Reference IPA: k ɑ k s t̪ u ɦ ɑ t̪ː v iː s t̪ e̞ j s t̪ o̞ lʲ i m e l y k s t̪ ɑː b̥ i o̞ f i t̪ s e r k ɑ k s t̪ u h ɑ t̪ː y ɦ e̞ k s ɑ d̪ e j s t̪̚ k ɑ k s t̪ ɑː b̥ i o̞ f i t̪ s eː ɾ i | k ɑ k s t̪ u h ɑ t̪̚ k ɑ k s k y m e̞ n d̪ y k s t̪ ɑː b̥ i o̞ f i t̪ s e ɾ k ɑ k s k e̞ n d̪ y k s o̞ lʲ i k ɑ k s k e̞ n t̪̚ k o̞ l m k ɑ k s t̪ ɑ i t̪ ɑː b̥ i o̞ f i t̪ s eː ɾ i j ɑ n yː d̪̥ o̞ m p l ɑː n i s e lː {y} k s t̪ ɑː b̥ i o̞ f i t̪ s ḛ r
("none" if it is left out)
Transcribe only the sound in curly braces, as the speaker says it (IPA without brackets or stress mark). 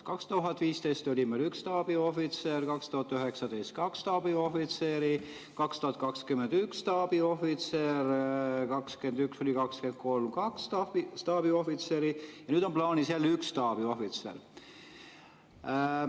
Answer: y